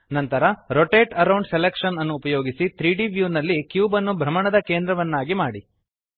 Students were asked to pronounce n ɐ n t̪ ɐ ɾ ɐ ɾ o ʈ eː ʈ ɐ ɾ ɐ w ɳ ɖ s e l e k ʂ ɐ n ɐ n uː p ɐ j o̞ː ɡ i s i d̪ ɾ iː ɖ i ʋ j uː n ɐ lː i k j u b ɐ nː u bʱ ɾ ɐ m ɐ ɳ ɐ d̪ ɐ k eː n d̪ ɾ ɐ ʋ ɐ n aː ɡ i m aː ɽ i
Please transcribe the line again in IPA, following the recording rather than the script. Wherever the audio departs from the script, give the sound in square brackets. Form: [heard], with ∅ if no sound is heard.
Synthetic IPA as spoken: n ɐ n t̪ ɐ ɾ ɐ ɾ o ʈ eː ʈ ɐ ɾ ɐ w ɳ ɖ s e l e k ʂ ɐ n ɐ [nː] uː p ɐ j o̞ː ɡ i s i [t̪] ɾ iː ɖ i ʋ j uː n ɐ lː i k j [uː] b ɐ nː u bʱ ɾ ɐ m ɐ ɳ ɐ d̪ ɐ k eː n d̪ ɾ ɐ ʋ ɐ [nː] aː ɡ i m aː ɽ i